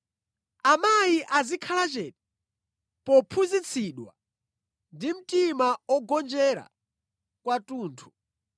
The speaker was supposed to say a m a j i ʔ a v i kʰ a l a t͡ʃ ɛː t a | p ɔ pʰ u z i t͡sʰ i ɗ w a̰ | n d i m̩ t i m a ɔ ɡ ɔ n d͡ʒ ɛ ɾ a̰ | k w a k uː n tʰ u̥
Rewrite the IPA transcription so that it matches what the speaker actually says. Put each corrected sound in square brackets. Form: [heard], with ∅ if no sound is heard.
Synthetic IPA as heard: a m a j i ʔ a [z] i kʰ a l a t͡ʃ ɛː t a | p ɔ pʰ u z i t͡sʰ i ɗ w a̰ | n d i m̩ t i m a ɔ ɡ ɔ n d͡ʒ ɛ ɾ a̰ | k w a [t] uː n tʰ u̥